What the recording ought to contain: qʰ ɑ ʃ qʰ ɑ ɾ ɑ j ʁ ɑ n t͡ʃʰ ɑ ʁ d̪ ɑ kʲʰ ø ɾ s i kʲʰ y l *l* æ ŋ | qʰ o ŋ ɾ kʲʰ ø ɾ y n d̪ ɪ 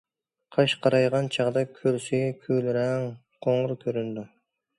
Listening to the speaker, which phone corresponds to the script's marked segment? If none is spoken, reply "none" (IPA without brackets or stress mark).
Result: ɾ